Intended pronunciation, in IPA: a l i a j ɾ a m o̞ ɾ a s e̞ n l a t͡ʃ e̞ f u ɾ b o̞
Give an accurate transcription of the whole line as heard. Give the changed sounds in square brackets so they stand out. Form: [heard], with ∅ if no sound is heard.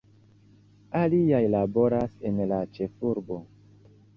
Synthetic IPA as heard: a l i a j [l] a [b] o̞ ɾ a s e̞ n l a t͡ʃ e̞ f u ɾ b o̞

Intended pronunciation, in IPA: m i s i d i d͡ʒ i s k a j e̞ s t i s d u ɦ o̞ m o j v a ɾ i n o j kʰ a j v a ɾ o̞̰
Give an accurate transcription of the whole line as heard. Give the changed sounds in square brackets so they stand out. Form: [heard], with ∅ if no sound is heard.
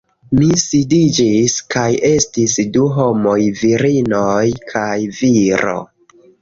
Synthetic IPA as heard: m i s i d i d͡ʒ i s k a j e̞ s t i s d u ɦ o̞ m o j v [i] ɾ i n o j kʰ a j v [i] ɾ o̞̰

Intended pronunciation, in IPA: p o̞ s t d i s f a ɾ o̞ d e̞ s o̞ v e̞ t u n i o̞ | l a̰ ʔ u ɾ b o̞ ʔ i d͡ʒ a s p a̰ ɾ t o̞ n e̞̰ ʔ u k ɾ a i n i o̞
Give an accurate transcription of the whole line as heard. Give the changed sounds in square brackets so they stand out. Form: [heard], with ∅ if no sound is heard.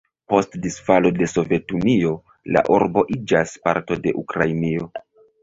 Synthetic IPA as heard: p o̞ s t d i s f a [l] o̞ d e̞ s o̞ v e̞ t u n i o̞ | l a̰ ʔ u ɾ b o̞ ʔ i d͡ʒ a s p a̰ ɾ t o̞ [d] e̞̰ ʔ u k ɾ a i n i o̞

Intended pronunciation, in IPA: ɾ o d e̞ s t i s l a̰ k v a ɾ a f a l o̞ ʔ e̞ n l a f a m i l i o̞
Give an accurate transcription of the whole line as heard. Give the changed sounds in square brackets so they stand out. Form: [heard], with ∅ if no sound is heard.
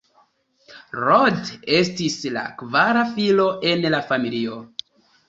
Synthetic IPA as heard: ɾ o d e̞ s t i s l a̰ k v a ɾ a f [i] l o̞ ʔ e̞ n l a f a m i l i o̞

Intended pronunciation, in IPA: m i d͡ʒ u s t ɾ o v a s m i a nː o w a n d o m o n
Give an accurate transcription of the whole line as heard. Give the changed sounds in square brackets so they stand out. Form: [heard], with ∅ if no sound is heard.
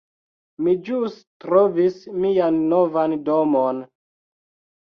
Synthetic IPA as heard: m i d͡ʒ u s t ɾ o v [i] s m i a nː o [v] a n d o m o n

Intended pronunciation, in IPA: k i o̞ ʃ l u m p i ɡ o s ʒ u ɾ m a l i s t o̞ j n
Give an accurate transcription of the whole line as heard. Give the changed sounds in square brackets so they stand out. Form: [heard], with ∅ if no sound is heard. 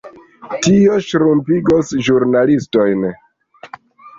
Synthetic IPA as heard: [t] i o̞ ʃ [ɾ] u m p i ɡ o s ʒ u ɾ [n] a l i s t o̞ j n

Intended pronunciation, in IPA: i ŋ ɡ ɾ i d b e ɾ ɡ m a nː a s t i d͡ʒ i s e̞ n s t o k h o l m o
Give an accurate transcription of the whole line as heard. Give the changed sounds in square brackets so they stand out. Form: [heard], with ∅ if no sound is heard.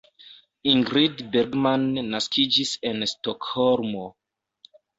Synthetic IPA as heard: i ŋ ɡ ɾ i d b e ɾ ɡ m a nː a s [k] i d͡ʒ i s e̞ n s t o k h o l m o

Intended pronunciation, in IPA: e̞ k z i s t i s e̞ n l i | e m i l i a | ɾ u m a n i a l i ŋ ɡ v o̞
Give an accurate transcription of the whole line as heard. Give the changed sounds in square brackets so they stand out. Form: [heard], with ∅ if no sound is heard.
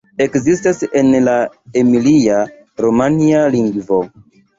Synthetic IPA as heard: e̞ k z i s t [a] s e̞ n l [a] | e m i l i a | ɾ [o] m a n i a l i ŋ ɡ v o̞

